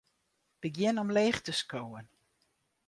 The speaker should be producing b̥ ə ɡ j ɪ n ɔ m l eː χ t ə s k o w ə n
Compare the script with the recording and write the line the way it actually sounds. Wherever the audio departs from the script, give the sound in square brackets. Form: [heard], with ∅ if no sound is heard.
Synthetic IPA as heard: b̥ ə ɡ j ɪ n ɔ m l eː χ t ə s k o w ə n